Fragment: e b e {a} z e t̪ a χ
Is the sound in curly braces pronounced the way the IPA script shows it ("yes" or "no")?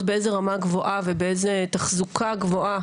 no